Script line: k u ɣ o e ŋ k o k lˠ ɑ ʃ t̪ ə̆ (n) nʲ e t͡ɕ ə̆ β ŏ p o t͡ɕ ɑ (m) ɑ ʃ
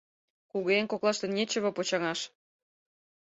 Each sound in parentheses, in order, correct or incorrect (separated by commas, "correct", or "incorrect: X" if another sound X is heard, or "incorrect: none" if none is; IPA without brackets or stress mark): correct, incorrect: ŋ